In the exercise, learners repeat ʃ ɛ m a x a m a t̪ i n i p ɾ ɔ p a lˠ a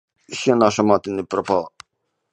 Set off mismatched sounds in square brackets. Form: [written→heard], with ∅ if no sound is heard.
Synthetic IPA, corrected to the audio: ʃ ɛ [m→n] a [x→ʃ] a m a t̪ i n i p ɾ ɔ p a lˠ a